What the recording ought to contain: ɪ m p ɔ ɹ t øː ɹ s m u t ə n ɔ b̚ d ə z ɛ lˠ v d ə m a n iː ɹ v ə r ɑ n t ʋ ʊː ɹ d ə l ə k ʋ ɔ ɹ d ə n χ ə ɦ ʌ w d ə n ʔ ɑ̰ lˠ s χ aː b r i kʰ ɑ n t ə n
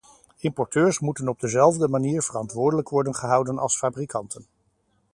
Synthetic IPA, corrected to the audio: ɪ m p ɔ ɹ t øː ɹ s m u t ə n ɔ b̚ d ə z ɛ lˠ v d ə m a n iː ɹ v ə r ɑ n t ʋ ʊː ɹ d ə l ə k ʋ ɔ ɹ d ə n χ ə ɦ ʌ w d ə n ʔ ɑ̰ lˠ s f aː b r i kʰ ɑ n t ə n